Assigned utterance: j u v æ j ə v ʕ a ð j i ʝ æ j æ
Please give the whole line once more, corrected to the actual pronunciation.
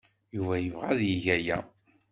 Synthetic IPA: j u v æ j ə v ʁ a ð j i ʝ æ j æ

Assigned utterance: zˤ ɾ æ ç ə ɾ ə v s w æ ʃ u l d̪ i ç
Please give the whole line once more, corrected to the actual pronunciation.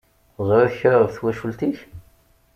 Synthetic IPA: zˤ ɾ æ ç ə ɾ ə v θ w æ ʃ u l t̪ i ç

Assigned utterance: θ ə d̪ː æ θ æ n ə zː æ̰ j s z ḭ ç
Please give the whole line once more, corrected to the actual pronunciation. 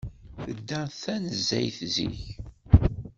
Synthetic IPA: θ ə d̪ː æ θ æ n ə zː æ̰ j θ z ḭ ç

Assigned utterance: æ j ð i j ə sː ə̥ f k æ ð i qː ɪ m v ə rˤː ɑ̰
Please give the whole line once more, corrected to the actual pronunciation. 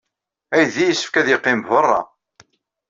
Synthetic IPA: æ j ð i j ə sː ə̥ f k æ ð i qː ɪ m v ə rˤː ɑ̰

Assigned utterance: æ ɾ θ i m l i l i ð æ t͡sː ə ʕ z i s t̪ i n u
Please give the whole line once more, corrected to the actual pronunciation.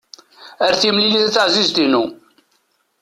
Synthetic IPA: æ ɾ θ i m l i l i θ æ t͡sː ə ʕ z i z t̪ i n u

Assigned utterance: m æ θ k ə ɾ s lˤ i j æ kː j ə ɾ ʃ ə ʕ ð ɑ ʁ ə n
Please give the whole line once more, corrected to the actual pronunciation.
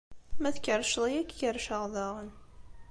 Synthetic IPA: m æ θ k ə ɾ ʃ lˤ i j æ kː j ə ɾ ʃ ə ʁ ð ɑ ʁ ə n

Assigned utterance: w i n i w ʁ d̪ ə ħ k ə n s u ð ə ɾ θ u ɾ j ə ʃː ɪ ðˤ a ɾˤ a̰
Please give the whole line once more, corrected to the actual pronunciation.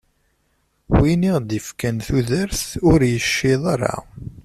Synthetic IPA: w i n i ʁ d̪ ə f k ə n θ u ð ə ɾ θ ʊ ɾ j ə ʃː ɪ ðˤ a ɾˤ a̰

